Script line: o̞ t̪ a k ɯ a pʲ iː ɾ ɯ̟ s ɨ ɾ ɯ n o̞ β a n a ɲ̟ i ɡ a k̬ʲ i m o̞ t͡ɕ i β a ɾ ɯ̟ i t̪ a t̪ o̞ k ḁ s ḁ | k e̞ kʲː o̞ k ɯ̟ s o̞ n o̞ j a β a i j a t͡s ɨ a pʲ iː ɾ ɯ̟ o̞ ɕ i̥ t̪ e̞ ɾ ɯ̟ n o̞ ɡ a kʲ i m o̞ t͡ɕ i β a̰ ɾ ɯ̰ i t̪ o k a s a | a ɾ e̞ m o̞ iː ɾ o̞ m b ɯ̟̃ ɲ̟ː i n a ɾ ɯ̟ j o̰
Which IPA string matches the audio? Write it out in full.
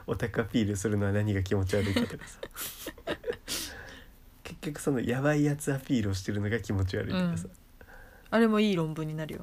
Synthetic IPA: o̞ t̪ a k ɯ a pʲ iː ɾ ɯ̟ s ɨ ɾ ɯ n o̞ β a n a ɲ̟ i ɡ a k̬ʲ i m o̞ t͡ɕ i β a ɾ ɯ̟ i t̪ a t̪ o̞ k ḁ s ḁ | k e̞ kʲː o̞ k ɯ̟ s o̞ n o̞ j a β a i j a t͡s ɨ a pʲ iː ɾ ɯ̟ o̞ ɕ i̥ t̪ e̞ ɾ ɯ̟ n o̞ ɡ a kʲ i m o̞ t͡ɕ i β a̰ ɾ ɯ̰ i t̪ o k a s a | a ɾ e̞ m o̞ iː ɾ õ̞ m b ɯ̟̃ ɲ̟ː i n a ɾ ɯ̟ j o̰